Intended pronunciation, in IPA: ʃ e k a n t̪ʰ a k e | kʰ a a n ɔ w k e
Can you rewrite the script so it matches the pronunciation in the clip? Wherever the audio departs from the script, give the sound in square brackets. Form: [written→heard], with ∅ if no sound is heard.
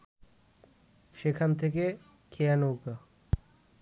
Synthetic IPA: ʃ e [k→kʰ] a n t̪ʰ [a→e] k e | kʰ [a→e] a n [ɔ→o] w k [e→a]